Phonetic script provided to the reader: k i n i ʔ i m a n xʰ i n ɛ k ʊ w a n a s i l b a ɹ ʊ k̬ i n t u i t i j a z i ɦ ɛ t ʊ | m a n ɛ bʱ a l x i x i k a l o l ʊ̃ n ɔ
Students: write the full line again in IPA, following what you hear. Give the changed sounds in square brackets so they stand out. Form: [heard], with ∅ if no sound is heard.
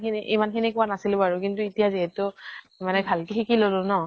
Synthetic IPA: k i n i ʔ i m a n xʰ i n [i] k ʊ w a n a s i l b a ɹ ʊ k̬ i n t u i t i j a z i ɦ ɛ t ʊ | m a n ɛ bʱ a l [k] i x i k [i] l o l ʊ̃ n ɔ